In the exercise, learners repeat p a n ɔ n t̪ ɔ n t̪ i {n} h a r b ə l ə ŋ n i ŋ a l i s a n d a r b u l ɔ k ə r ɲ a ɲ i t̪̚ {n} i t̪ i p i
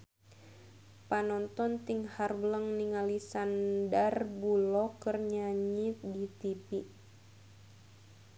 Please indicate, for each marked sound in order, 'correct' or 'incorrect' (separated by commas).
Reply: incorrect, incorrect